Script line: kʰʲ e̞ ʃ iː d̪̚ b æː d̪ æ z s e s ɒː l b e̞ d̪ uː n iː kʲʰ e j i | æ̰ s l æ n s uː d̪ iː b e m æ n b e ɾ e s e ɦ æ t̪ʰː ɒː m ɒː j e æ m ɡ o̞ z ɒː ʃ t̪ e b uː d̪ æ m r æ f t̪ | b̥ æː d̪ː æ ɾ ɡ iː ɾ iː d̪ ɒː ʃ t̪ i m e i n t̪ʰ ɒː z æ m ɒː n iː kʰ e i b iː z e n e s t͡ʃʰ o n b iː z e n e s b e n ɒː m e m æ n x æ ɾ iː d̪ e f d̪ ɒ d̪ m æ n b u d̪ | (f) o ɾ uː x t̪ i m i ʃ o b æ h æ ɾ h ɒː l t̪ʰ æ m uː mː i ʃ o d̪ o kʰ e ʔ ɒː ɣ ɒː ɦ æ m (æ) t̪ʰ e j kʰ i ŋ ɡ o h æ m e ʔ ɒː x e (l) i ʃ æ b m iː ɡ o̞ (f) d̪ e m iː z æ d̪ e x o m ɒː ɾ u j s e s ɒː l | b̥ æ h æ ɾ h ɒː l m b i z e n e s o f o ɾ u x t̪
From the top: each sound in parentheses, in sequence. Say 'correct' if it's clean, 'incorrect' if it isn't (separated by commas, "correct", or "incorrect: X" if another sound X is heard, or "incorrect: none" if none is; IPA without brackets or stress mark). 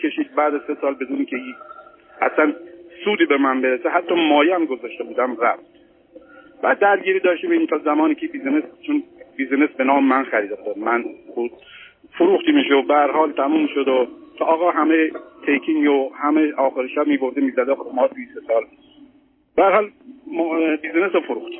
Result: correct, incorrect: e, incorrect: ɾ, correct